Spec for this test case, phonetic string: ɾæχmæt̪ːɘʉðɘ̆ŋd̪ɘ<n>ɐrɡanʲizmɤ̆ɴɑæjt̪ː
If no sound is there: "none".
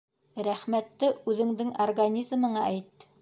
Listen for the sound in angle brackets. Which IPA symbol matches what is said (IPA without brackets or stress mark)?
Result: ŋ